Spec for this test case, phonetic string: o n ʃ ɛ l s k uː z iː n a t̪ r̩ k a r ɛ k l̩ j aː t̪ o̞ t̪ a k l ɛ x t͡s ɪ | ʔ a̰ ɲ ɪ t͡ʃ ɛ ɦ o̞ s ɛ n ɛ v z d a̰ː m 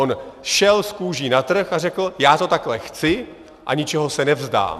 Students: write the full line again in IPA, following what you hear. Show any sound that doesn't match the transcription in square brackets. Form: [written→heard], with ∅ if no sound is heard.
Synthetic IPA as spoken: o n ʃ ɛ l s k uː [z→ʒ] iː n a t̪ r̩ [k→x] a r ɛ k l̩ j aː t̪ o̞ t̪ a k l ɛ x t͡s ɪ | ʔ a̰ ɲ ɪ t͡ʃ ɛ ɦ o̞ s ɛ n ɛ v z d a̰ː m